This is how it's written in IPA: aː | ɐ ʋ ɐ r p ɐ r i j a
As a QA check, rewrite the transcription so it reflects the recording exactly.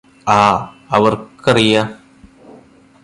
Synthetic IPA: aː | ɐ ʋ ɐ r k ɐ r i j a